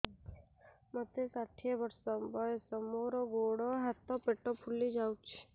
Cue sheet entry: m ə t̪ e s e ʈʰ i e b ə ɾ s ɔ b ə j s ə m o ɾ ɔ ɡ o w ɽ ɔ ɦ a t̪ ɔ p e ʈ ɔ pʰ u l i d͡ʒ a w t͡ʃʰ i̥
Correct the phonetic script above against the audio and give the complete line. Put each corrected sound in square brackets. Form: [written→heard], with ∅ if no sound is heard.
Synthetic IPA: m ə t̪ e s [e→a] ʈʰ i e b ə ɾ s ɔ b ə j s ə m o ɾ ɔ ɡ o [w→∅] ɽ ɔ ɦ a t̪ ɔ p e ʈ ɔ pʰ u l i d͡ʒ a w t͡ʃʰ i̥